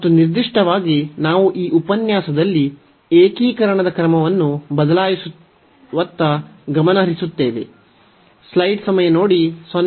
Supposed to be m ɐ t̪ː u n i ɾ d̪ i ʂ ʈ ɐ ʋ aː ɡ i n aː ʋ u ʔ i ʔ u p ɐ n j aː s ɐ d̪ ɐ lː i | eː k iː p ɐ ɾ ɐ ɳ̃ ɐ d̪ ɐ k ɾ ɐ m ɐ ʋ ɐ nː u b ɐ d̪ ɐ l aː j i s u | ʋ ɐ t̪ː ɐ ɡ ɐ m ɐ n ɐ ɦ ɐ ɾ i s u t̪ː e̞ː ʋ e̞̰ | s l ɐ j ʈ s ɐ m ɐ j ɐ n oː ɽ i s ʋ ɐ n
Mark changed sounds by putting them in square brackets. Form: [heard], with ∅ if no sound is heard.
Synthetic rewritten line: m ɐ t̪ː u n i ɾ d̪ i ʂ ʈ ɐ ʋ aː ɡ i n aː ʋ u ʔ [iː] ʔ u p ɐ n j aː s ɐ d̪ ɐ lː i | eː k iː [k] ɐ ɾ ɐ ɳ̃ ɐ d̪ ɐ k ɾ ɐ m ɐ ʋ ɐ nː u b ɐ d̪ ɐ l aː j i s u | ʋ ɐ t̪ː ɐ ɡ ɐ m ɐ n ɐ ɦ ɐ ɾ i s u t̪ː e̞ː ʋ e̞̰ | s l ɐ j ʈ s ɐ m ɐ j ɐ n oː ɽ i s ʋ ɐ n